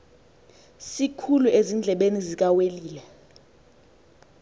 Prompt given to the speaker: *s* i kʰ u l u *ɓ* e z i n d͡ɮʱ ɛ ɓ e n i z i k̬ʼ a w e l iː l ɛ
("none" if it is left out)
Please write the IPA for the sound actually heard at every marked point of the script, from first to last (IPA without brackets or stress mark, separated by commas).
s, none